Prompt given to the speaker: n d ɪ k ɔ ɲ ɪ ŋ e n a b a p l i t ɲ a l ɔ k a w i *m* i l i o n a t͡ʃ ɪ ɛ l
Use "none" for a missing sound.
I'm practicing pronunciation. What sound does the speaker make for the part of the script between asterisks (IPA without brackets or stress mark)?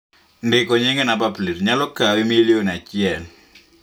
m